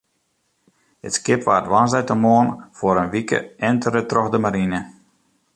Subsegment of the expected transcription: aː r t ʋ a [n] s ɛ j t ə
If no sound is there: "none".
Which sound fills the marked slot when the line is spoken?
n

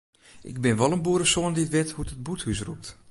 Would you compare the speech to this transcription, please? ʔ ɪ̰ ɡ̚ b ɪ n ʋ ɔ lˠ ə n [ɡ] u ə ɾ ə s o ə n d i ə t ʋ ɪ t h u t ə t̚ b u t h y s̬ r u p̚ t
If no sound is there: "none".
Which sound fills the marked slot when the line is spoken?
b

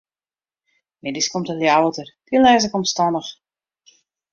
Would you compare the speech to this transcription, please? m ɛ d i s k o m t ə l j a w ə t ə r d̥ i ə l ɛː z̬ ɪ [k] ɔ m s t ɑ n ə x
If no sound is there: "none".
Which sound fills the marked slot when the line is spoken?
k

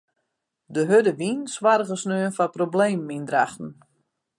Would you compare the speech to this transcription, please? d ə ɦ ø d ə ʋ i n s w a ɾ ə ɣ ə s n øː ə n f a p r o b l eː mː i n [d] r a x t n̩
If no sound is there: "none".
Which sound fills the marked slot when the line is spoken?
d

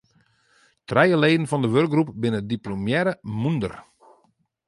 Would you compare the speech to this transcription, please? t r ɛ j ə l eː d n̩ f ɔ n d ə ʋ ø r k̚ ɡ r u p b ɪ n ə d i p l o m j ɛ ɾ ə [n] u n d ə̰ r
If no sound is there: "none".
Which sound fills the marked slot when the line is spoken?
m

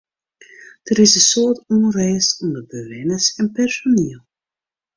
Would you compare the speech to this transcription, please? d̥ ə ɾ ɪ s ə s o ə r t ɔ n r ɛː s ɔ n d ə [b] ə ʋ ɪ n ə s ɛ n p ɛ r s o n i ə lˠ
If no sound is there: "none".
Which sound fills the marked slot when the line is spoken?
b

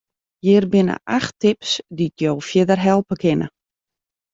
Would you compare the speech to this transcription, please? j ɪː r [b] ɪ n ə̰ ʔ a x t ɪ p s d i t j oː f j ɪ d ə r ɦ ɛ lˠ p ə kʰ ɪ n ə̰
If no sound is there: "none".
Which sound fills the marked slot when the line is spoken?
b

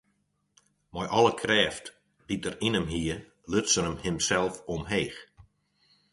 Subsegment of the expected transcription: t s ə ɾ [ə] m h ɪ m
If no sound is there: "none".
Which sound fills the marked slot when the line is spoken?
ə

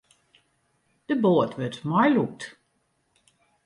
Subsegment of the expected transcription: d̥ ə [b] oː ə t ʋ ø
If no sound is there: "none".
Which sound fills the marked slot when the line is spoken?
b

